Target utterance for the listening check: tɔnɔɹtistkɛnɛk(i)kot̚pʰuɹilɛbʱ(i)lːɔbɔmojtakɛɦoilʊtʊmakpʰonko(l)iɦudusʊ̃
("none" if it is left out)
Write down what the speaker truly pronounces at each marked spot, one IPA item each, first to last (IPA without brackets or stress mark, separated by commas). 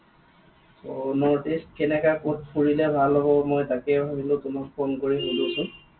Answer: a, a, ɹ